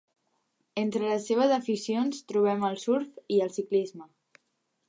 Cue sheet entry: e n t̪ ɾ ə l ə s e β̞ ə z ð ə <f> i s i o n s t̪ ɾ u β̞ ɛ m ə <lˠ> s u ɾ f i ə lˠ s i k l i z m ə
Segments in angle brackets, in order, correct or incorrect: correct, correct

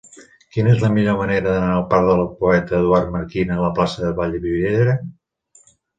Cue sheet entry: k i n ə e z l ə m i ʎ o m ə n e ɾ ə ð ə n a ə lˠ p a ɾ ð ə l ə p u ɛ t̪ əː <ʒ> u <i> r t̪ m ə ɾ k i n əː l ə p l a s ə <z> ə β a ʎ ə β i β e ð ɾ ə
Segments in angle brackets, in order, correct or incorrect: incorrect, incorrect, incorrect

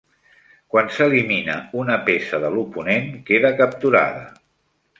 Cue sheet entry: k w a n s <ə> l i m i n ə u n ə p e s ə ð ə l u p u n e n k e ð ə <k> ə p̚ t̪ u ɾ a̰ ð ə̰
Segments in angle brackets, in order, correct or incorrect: correct, correct

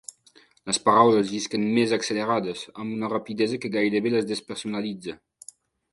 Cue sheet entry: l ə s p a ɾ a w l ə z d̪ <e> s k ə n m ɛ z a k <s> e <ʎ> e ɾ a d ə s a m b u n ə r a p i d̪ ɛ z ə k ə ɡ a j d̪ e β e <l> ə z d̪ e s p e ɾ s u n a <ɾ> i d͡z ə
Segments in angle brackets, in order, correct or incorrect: incorrect, correct, incorrect, correct, incorrect

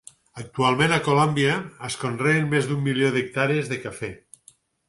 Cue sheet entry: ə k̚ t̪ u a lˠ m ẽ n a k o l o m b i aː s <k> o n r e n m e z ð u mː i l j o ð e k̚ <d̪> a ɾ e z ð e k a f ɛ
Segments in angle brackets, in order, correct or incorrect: correct, incorrect

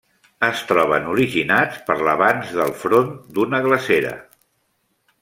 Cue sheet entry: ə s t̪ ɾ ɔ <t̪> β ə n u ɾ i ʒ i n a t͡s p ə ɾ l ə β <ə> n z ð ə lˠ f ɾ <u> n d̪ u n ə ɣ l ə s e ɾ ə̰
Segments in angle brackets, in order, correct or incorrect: incorrect, incorrect, incorrect

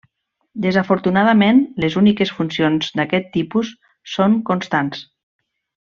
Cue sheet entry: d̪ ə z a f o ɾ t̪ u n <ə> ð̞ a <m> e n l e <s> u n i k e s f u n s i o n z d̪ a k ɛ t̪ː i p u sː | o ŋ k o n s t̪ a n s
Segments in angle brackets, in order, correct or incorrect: incorrect, correct, incorrect

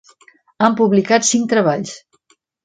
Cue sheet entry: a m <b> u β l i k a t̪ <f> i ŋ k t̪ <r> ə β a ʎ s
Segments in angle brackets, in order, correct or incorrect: incorrect, incorrect, incorrect

